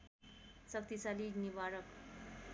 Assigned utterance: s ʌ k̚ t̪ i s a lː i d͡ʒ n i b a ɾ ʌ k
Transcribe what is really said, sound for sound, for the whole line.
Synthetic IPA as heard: s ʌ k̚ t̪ i s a l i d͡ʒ n i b a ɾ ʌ k

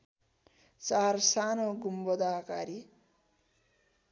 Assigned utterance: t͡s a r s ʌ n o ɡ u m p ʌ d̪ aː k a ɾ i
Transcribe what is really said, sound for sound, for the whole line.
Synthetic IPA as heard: t͡s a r s a n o ɡ u m b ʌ d̪ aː k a ɾ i

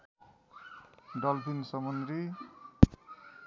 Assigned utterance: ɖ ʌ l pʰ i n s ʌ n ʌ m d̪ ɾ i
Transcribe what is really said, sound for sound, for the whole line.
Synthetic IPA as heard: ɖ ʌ l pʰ i n s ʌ m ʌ n d̪ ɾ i

